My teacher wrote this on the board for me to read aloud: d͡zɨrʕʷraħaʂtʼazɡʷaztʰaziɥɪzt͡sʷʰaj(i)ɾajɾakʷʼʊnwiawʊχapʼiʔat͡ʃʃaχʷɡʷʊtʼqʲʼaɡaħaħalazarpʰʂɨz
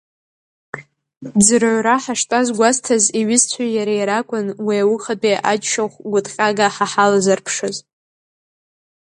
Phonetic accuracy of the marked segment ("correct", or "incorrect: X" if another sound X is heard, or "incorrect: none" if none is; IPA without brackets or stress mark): incorrect: a